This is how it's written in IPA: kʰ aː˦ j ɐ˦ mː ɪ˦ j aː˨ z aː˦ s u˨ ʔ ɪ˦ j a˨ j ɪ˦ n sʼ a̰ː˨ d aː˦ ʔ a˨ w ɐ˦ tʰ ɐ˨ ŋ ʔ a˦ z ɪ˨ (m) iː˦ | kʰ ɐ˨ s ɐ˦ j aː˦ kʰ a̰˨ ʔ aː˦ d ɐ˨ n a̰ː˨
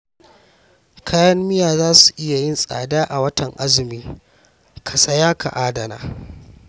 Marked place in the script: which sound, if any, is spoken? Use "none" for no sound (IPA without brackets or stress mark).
m